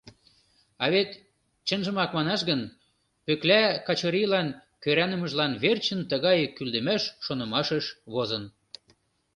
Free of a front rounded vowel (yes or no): no